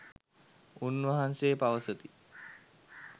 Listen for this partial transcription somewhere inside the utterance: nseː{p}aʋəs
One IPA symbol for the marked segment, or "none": p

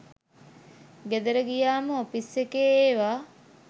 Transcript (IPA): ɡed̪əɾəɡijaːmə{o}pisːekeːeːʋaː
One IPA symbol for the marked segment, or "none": o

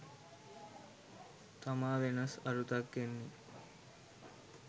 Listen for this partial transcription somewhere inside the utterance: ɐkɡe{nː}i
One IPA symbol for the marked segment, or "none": nː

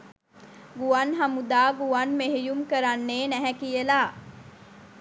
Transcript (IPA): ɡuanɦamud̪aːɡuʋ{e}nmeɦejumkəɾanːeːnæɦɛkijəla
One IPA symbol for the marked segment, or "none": a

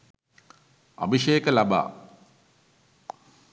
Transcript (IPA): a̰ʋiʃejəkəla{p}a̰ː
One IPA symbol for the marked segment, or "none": b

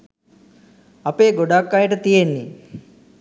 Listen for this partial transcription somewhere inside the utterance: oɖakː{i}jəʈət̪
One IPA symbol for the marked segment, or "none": a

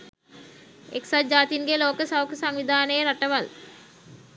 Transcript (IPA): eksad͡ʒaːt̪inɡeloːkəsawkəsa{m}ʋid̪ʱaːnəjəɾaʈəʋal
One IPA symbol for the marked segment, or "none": ŋ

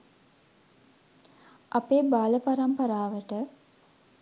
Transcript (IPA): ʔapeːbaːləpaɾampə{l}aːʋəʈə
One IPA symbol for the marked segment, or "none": ɾ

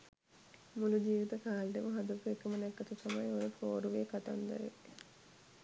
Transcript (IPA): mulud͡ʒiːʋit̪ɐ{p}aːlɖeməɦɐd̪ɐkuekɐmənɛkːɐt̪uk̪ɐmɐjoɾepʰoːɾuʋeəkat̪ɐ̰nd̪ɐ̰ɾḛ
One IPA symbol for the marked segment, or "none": k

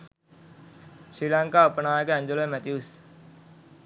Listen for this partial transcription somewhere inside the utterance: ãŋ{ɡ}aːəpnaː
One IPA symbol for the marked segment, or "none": k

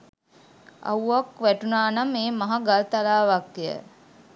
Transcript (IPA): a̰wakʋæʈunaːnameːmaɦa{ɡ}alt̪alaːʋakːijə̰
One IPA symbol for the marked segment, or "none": ɡ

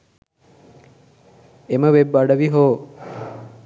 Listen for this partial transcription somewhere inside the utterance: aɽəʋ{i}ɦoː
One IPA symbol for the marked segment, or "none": i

